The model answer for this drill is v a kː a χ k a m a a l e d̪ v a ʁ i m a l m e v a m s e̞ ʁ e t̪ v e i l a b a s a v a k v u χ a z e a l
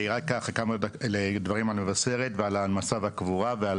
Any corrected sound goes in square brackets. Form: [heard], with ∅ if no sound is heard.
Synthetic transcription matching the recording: [ʁ] a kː a χ k a m a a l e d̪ v a ʁ i m a l m e v a [∅] s e̞ ʁ e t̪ v e [a] l a [m] a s a v a k v u [ʁ] a [v] e a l